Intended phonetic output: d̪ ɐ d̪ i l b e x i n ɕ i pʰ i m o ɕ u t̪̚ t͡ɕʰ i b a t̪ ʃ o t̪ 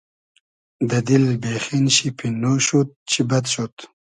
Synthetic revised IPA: d̪ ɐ d̪ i l b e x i n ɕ i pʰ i n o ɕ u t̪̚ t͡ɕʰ i b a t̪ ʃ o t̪